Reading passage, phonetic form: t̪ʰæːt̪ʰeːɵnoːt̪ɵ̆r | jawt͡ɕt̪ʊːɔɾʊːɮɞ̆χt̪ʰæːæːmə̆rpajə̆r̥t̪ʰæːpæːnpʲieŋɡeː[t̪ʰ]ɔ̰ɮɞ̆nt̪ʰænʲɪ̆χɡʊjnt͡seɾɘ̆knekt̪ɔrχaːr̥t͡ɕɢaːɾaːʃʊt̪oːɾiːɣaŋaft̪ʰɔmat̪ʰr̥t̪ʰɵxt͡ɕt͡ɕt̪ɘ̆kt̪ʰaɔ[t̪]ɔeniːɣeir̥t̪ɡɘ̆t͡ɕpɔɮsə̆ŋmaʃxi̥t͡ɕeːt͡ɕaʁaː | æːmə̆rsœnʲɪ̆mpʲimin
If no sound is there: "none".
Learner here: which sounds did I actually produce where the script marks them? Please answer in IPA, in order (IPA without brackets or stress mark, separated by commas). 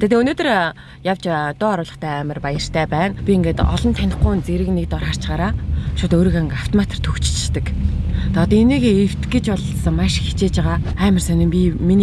t̪, t̪